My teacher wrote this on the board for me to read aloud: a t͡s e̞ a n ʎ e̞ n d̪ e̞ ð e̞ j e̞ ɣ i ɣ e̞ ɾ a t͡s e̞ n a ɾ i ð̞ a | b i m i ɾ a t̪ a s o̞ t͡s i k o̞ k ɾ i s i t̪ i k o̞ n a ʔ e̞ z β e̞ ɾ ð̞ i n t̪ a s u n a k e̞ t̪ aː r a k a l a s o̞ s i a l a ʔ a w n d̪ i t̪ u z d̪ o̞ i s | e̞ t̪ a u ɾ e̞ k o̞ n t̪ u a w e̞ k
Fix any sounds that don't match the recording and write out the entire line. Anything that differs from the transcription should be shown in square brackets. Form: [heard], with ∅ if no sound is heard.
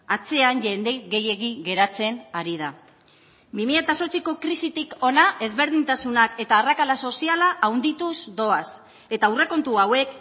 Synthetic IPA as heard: a t͡s e̞ a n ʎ e̞ n d̪ e̞ [ɣ] e̞ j e̞ ɣ i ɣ e̞ ɾ a t͡s e̞ n a ɾ i ð̞ a | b i m i [ʎ] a t̪ a s o̞ t͡s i k o̞ k ɾ i s i t̪ i k o̞ n a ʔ e̞ z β e̞ ɾ ð̞ i n t̪ a s u n a k e̞ t̪ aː r a k a l a s o̞ s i a l a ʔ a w n d̪ i t̪ u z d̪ o̞ [a] s | e̞ t̪ a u [r] e̞ k o̞ n t̪ u a w e̞ k

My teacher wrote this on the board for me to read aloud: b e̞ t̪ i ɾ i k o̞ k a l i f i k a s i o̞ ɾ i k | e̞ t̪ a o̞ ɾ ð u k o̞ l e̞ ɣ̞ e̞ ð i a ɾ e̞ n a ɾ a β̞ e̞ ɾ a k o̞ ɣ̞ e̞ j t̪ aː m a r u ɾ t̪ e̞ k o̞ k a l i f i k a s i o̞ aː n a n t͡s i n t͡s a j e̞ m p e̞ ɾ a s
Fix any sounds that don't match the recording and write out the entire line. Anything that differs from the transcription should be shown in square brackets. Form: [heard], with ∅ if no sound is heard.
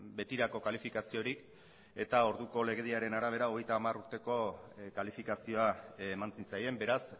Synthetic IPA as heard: b e̞ t̪ i ɾ [a] k o̞ k a l i f i k a s i o̞ ɾ i k | e̞ t̪ a o̞ ɾ ð u k o̞ l e̞ ɣ̞ e̞ ð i a ɾ e̞ n a ɾ a β̞ e̞ ɾ a [∅] o̞ ɣ̞ e̞ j t̪ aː m a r u ɾ t̪ e̞ k o̞ k a l i f i k a s i o̞ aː [m] a n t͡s i n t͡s a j e̞ m [b] e̞ ɾ a s

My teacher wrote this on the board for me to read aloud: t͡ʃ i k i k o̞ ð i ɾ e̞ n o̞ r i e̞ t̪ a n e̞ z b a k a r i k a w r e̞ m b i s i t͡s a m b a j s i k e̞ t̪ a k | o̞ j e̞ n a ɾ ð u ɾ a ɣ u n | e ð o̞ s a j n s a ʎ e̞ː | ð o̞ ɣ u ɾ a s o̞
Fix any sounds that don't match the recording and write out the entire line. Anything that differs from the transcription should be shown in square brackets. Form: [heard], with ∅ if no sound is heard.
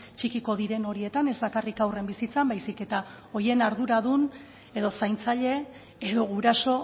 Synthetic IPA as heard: t͡ʃ i k i k o̞ ð i ɾ e̞ n o̞ [ɾ] i e̞ t̪ a n e̞ z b a k a r i k a w r e̞ m b i s i t͡s a m b a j s i k e̞ t̪ a [∅] | o̞ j e̞ n a ɾ ð u ɾ a [ð] u n | e ð o̞ s a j n [t͡s] a ʎ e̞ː | ð o̞ ɣ u ɾ a s o̞

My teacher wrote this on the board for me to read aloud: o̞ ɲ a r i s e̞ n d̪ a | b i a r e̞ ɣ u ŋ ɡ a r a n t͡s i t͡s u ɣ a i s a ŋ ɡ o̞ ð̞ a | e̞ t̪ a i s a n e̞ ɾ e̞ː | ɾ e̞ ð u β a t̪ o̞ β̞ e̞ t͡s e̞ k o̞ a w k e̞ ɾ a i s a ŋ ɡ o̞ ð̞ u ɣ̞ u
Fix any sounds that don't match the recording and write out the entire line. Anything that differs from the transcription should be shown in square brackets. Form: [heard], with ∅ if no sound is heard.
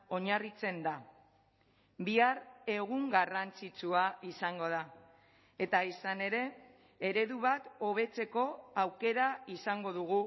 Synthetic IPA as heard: o̞ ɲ a r i [t͡s] e̞ n d̪ a | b i a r e̞ ɣ u ŋ ɡ a r a n t͡s i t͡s u [∅] a i s a ŋ ɡ o̞ ð̞ a | e̞ t̪ a i s a n e̞ ɾ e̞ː | ɾ e̞ ð u β a t̪ o̞ β̞ e̞ t͡s e̞ k o̞ a w k e̞ ɾ a i s a ŋ ɡ o̞ ð̞ u ɣ̞ u

